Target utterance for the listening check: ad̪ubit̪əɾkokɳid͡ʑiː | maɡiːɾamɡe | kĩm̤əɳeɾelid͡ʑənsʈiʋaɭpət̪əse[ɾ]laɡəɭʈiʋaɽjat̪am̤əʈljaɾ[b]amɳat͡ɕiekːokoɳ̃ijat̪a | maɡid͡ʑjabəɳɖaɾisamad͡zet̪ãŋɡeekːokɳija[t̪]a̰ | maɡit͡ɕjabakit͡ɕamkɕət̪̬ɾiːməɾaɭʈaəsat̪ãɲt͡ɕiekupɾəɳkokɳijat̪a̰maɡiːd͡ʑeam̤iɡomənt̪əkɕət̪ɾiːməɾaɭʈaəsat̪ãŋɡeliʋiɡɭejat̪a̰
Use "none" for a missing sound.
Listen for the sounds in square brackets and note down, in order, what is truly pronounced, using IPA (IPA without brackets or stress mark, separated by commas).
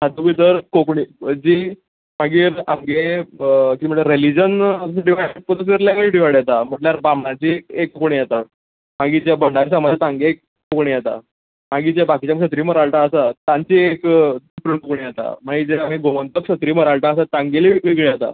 ɾ, b, t̪